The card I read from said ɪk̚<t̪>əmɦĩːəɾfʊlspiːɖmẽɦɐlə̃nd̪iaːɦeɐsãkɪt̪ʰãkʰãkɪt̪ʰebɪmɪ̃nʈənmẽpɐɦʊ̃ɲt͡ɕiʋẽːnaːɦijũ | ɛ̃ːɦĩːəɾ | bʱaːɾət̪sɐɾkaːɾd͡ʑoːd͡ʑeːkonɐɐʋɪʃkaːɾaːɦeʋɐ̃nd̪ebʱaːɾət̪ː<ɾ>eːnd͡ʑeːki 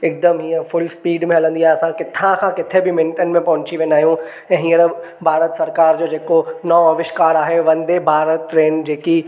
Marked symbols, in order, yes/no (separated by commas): no, yes